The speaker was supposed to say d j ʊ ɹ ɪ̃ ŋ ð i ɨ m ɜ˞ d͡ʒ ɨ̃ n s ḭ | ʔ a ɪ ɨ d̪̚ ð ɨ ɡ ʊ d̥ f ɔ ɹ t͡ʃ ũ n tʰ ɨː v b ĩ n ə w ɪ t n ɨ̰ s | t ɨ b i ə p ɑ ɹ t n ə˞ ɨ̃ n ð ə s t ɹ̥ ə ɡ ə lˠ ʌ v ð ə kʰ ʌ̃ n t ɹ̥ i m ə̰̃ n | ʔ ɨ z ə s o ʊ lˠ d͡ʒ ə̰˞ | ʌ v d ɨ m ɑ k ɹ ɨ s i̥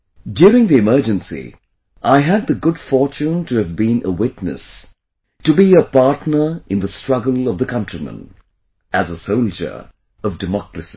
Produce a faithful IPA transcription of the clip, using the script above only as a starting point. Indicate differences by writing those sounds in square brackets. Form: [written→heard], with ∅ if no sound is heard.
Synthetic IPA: d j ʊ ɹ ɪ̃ ŋ ð i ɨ m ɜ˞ d͡ʒ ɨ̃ n s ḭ | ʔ a ɪ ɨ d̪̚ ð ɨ ɡ ʊ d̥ f ɔ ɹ t͡ʃ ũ n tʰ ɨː v b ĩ n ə w ɪ t n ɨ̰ s | t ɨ b i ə p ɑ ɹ t n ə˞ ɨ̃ n ð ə s t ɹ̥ [ə→ʌ] ɡ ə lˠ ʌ v ð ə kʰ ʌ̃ n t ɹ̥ i m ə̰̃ n | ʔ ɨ z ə s o ʊ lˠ d͡ʒ ə̰˞ | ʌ v d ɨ m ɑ k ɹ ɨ s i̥